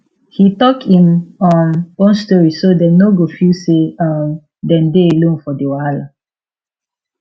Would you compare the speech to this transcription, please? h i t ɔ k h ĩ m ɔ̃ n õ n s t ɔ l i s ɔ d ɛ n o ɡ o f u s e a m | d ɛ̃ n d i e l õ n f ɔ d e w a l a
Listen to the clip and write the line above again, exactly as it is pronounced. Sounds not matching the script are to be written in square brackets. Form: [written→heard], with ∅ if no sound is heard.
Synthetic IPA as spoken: h i t ɔ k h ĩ m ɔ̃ n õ n s t ɔ [l→ɹ] i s [ɔ→o] d ɛ n o ɡ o f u s e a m | d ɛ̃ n d [i→e] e l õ n f ɔ d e w a l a